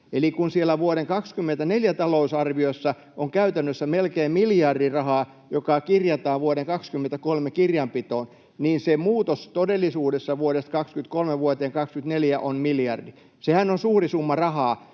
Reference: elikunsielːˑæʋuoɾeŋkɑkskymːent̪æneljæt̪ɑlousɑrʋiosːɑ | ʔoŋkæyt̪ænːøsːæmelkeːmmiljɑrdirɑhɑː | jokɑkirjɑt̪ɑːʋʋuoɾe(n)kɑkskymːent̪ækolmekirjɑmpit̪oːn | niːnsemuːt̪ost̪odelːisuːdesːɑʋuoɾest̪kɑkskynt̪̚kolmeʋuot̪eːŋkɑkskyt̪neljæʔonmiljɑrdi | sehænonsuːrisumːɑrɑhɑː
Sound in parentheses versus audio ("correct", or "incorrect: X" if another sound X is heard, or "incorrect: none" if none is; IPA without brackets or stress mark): incorrect: ŋ